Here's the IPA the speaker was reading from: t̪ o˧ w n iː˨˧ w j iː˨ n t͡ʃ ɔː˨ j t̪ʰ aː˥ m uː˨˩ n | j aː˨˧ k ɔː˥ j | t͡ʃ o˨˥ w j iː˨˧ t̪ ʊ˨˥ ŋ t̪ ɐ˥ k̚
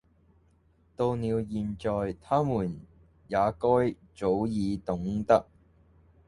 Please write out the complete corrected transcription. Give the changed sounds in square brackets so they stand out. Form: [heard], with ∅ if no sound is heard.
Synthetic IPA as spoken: t̪ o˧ w n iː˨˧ w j iː˨ n t͡ʃ ɔː˨ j t̪ʰ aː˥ m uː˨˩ n | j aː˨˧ k ɔː˥ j | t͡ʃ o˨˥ w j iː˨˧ t̪ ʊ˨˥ ŋ t̪ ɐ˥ k̚

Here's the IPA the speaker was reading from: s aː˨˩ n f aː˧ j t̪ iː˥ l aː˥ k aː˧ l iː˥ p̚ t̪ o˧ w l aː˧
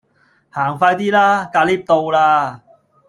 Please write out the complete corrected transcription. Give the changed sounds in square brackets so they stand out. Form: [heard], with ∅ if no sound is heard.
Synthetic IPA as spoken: [h] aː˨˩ [ŋ] f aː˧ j t̪ iː˥ l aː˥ k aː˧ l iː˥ p̚ t̪ o˧ w l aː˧

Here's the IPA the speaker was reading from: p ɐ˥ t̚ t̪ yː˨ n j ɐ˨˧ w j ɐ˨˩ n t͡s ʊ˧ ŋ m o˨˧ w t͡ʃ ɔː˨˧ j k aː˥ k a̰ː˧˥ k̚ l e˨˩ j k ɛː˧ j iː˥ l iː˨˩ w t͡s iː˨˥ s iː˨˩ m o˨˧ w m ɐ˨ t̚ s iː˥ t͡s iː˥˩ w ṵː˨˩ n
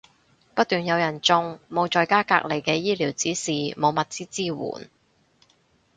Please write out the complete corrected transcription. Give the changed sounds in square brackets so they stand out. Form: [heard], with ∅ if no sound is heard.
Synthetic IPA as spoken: p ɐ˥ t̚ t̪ yː˨ n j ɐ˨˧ w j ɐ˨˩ n t͡s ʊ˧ ŋ m o˨˧ w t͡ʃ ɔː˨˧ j k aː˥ k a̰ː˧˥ k̚ l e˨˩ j k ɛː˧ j iː˥ l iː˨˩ w t͡s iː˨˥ s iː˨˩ m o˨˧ w m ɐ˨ t̚ [t͡s] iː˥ t͡s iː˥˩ w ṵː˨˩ n

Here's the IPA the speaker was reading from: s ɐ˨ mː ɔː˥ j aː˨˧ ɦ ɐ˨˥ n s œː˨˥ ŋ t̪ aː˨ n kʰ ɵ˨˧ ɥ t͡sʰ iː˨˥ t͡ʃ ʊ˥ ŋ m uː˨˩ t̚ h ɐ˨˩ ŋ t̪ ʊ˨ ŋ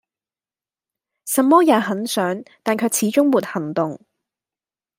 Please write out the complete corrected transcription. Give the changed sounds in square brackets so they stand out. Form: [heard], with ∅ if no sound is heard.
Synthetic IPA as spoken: s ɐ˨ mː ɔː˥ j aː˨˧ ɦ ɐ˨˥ n s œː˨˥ ŋ t̪ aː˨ n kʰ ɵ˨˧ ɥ t͡sʰ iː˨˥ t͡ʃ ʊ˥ ŋ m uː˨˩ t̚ h ɐ˨˩ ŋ t̪ ʊ˨ ŋ

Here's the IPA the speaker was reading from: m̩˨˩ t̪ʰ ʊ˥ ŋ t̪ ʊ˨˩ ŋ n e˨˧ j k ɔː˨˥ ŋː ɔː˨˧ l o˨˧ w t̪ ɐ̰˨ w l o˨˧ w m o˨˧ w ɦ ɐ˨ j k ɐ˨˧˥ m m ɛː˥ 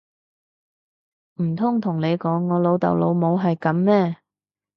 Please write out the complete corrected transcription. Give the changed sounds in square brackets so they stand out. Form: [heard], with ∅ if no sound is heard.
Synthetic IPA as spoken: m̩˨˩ t̪ʰ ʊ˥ ŋ [t̪ʰ] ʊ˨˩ ŋ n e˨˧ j k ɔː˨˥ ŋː ɔː˨˧ l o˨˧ w t̪ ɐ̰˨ w l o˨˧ w m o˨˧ w ɦ ɐ˨ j k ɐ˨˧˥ m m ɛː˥

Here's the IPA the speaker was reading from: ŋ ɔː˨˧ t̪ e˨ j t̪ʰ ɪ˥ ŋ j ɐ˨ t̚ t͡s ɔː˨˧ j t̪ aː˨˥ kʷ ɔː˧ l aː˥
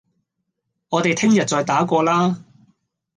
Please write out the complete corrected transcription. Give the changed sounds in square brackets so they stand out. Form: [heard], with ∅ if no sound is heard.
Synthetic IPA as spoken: ŋ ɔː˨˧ t̪ e˨ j t̪ʰ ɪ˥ ŋ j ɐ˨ t̚ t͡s ɔː˨˧ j t̪ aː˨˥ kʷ ɔː˧ l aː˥

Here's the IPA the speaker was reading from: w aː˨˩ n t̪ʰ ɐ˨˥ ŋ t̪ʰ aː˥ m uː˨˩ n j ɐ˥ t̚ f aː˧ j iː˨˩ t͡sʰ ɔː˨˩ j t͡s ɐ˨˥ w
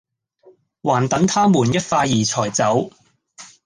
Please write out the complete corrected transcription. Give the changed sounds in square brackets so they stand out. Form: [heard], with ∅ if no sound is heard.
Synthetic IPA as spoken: w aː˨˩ n [t̪] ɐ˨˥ ŋ t̪ʰ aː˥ m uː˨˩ n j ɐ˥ t̚ f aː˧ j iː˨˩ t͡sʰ ɔː˨˩ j t͡s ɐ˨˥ w

